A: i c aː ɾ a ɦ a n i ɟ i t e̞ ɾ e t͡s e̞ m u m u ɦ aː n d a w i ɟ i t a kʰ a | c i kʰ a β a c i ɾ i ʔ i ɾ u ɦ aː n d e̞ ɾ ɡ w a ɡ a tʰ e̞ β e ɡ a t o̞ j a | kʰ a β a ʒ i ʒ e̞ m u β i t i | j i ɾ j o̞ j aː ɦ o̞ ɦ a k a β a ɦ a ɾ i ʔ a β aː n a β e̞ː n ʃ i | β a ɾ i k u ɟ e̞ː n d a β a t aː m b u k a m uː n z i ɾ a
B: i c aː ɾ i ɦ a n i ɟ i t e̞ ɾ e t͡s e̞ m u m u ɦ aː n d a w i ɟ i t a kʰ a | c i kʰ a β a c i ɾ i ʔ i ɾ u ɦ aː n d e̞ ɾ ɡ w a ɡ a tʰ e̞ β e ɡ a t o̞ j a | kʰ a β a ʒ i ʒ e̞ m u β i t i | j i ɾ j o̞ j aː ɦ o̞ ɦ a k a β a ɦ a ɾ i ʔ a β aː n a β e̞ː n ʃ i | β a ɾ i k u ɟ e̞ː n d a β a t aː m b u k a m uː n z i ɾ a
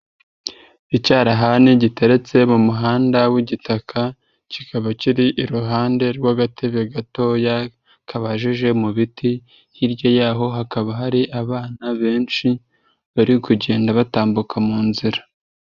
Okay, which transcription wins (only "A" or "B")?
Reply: A